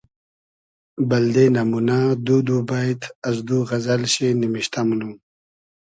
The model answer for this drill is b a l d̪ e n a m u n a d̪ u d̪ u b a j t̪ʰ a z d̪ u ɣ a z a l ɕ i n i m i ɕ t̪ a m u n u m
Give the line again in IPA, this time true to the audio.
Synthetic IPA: b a l d̪ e n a m u n a d̪ u d̪ u b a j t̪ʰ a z d̪ u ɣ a z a l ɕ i n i m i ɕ t̪ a m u n u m

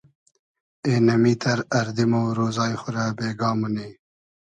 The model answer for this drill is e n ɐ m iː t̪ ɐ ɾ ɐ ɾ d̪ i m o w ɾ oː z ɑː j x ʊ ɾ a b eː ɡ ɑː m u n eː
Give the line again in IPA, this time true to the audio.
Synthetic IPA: e n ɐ m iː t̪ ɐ ɾ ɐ ɾ d̪ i m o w ɾ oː z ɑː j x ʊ ɾ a b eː ɡ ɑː m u n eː

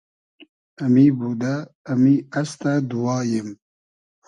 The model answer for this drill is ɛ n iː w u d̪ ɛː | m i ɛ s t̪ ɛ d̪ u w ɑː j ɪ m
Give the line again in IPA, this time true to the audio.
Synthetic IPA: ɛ m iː b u d̪ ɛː | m i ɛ s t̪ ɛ d̪ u w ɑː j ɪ m

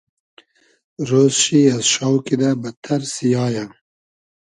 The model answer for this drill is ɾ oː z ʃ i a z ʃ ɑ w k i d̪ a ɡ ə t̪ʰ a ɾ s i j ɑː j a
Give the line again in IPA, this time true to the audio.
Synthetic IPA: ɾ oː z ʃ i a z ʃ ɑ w k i d̪ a b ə t̪ʰ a ɾ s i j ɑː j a

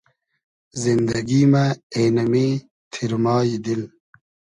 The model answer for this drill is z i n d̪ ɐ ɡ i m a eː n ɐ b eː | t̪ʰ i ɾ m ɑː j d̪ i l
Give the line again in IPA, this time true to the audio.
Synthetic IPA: z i n d̪ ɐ ɡ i m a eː n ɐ m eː | t̪ʰ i ɾ m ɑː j d̪ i l

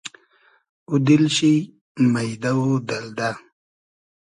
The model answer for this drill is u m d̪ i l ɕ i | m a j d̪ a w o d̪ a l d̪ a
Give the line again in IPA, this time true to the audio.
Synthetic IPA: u d̪ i l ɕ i | m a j d̪ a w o d̪ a l d̪ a

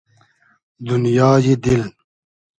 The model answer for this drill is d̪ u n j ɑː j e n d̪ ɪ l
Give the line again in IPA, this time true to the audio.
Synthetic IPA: d̪ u n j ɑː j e d̪ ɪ l

